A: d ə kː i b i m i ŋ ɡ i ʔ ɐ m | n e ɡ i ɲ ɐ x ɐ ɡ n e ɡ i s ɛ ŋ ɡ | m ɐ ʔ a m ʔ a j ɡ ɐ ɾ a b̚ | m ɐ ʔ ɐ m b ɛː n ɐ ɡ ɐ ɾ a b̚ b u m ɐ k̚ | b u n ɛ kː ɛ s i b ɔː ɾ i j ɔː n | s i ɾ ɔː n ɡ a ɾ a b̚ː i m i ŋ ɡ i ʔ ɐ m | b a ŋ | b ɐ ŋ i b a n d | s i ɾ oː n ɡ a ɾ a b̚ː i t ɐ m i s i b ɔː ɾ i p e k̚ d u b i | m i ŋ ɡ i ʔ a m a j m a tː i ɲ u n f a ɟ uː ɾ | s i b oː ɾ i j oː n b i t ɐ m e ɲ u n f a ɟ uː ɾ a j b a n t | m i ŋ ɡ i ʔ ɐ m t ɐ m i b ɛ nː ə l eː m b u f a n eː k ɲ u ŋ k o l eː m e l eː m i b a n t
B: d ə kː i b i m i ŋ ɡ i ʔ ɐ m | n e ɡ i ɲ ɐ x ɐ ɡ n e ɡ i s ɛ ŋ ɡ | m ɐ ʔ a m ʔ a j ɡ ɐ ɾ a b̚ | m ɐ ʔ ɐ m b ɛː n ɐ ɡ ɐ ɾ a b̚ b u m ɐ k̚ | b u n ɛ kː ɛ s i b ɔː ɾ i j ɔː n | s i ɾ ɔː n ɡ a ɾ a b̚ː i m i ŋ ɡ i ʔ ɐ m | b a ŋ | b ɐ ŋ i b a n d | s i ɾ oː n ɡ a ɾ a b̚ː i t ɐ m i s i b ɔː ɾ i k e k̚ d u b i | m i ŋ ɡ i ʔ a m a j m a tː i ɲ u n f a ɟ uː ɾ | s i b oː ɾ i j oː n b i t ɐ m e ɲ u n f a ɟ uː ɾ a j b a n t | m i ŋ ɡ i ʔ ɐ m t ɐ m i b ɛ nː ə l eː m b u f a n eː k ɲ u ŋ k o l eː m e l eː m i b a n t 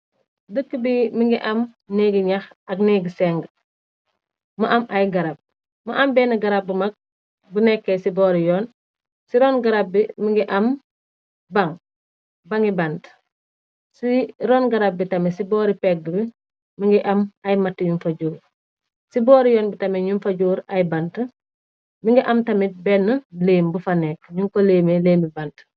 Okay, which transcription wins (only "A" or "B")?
A